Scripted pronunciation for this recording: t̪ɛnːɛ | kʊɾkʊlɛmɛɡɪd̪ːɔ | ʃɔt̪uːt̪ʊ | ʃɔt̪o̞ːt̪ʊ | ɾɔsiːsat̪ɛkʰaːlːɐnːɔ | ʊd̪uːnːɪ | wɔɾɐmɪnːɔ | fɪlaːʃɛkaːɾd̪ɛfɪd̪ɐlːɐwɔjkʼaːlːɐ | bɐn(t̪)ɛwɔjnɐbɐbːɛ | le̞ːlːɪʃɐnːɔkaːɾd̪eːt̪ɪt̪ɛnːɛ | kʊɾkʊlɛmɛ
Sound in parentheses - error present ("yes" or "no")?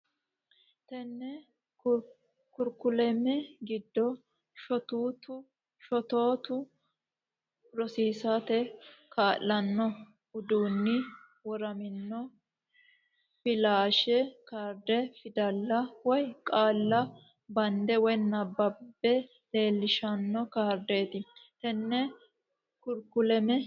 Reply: yes